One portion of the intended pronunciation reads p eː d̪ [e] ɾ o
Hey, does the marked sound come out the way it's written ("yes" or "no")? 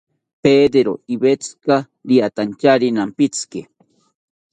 yes